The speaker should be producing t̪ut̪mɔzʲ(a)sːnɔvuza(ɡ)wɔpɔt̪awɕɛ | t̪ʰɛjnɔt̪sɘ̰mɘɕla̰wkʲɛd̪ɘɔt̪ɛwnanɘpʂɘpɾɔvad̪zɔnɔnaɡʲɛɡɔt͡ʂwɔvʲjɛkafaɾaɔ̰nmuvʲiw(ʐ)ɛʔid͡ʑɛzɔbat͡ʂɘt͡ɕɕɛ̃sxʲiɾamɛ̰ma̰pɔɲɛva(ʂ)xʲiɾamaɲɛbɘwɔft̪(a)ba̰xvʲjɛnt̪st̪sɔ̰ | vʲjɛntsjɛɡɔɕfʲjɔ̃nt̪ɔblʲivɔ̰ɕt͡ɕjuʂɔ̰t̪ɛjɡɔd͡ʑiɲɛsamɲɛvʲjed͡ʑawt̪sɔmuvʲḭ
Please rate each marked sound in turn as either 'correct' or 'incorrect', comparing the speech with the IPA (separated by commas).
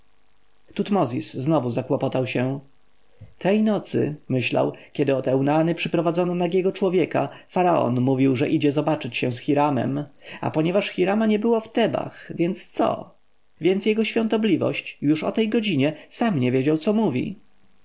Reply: incorrect, incorrect, correct, correct, incorrect